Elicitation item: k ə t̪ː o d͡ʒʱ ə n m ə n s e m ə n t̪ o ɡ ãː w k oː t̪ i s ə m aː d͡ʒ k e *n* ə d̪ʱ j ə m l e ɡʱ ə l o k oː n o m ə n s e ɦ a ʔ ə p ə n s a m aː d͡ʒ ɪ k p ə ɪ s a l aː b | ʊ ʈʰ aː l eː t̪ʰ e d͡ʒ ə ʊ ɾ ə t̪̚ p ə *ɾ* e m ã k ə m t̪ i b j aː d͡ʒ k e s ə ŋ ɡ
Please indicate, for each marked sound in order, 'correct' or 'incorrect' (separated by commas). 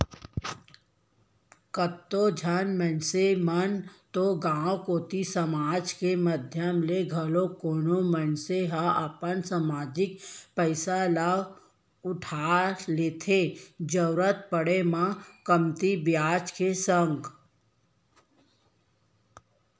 incorrect, incorrect